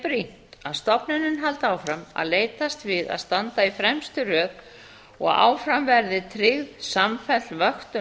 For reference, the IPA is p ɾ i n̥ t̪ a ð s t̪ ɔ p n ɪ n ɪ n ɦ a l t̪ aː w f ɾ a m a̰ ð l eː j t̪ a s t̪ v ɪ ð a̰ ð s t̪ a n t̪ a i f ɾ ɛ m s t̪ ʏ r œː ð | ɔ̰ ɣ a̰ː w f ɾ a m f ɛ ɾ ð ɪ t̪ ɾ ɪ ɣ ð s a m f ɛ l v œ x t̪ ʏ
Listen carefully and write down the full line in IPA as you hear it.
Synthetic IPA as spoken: p ɾ i n̥ t̪ a ð s t̪ ɔ p n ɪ n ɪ n ɦ a l t̪ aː w f ɾ a m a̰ ð l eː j t̪ a s t̪ v ɪ ð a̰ ð s t̪ a n t̪ a i f ɾ ɛ m s t̪ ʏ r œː ð | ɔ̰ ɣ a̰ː w f ɾ a m v ɛ ɾ ð ɪ t̪ʰ ɾ ɪ ɣ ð s a m f ɛ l v œ x t̪ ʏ